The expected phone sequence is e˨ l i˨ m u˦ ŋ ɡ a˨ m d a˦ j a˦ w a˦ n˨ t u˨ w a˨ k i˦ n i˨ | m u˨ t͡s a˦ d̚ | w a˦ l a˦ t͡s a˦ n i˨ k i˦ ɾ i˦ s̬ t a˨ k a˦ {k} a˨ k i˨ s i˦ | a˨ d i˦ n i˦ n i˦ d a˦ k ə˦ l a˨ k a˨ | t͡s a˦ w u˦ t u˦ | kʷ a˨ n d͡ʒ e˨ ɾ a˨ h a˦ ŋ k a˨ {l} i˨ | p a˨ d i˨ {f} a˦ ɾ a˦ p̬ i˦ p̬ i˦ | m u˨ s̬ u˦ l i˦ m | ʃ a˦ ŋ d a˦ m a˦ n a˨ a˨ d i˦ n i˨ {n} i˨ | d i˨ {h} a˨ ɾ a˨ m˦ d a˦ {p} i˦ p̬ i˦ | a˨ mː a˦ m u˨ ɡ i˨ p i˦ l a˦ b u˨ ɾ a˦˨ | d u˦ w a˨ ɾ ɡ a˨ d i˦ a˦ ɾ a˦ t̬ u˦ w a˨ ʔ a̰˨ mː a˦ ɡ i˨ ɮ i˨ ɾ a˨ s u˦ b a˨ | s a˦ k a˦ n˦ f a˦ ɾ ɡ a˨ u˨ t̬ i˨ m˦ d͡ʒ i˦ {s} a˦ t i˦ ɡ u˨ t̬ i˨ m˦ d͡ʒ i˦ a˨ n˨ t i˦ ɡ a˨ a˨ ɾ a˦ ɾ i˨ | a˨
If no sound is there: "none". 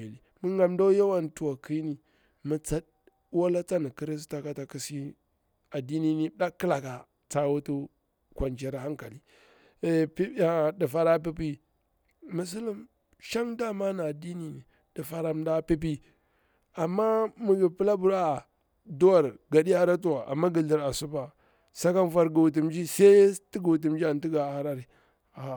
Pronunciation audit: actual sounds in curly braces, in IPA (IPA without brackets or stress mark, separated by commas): t, l, f, n, f, p, s